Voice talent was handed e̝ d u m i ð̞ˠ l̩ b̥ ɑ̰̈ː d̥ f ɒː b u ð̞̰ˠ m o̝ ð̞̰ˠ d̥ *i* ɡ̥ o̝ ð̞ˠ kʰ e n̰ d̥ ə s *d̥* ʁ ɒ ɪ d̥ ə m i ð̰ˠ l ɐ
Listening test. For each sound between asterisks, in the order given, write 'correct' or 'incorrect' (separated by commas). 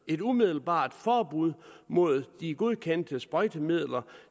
correct, incorrect